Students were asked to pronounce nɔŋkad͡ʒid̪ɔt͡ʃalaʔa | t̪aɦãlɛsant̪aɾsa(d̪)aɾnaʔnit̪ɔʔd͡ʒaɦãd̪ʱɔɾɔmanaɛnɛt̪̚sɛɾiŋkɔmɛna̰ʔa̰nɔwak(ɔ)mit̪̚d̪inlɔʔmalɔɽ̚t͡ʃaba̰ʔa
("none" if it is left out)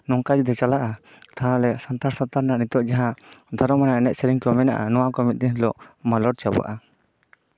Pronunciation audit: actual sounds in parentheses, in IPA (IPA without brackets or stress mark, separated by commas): t̪, ɔ